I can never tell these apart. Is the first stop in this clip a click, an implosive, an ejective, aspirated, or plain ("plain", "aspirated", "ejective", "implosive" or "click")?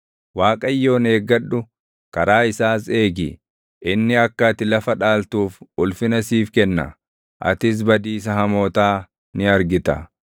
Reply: ejective